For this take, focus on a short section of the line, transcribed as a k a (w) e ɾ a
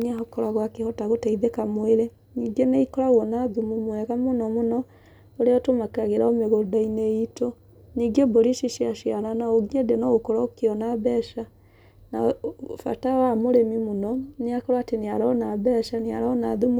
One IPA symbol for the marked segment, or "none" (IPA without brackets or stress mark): ɣ